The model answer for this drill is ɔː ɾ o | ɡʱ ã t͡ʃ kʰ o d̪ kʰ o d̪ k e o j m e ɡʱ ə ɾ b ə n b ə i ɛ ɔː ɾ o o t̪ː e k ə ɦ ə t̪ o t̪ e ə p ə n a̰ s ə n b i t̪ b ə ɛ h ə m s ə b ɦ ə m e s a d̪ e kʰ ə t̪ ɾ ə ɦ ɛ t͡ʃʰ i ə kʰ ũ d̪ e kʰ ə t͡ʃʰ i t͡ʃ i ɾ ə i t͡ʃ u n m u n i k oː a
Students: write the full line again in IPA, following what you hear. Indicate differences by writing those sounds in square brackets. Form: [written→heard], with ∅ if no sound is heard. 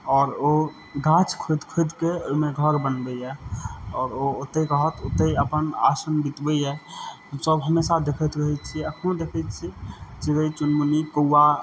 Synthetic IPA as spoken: ɔː ɾ o | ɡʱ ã t͡ʃ kʰ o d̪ kʰ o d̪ k e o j m e ɡʱ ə ɾ b ə n b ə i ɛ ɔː ɾ o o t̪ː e k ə ɦ ə t̪ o t̪ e ə p ə n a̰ s ə n b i t̪ b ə ɛ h ə m s ə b ɦ ə m e s a d̪ e kʰ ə t̪ ɾ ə ɦ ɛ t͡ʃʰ i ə kʰ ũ d̪ e kʰ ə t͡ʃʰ i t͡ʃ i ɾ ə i t͡ʃ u n m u n i k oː a